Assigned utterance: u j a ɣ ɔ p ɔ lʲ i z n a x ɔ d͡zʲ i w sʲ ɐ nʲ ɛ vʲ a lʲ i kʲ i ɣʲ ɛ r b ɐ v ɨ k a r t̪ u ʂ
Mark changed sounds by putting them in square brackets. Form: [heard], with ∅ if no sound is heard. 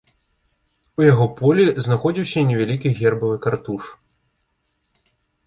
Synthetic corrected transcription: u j a ɣ ɔ p ɔ lʲ i z n a x ɔ d͡zʲ i w sʲ ɐ nʲ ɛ vʲ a lʲ i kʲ i ɣʲ ɛ r b ɐ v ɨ k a r t̪ u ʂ